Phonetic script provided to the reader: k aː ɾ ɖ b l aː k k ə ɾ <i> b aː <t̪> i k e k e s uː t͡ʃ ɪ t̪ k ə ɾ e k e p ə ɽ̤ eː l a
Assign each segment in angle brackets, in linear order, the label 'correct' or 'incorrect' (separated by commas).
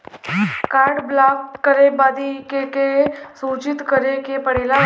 incorrect, incorrect